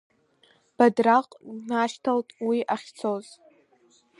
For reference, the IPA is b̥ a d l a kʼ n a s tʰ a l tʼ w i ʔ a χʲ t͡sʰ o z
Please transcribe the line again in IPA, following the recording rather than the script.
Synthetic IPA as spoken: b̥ a d r a qʼ n a ʃ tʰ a l tʼ w i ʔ a χʲ t͡sʰ o z